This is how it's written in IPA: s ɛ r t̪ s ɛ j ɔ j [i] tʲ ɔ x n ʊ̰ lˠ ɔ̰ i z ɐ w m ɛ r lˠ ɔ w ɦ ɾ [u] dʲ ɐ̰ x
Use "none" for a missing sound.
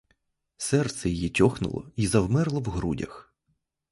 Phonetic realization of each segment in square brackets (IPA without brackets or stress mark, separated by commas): i, u